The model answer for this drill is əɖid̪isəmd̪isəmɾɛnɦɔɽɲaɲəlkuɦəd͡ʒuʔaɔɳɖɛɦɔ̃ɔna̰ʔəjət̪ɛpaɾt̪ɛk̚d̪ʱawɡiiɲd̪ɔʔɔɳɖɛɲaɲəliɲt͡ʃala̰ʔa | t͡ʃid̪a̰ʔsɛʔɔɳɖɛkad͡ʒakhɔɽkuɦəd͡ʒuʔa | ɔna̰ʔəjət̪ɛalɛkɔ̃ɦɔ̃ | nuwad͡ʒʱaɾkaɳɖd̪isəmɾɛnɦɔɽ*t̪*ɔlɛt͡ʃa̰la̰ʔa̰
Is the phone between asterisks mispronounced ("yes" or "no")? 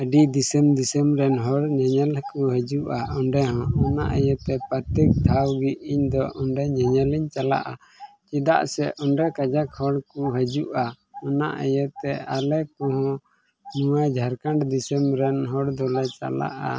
yes